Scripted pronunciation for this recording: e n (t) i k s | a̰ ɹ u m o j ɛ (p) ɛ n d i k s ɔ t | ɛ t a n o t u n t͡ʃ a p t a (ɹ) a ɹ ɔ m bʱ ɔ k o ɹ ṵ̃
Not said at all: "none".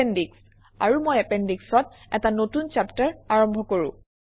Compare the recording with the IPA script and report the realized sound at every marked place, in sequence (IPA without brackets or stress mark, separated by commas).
d, p, ɹ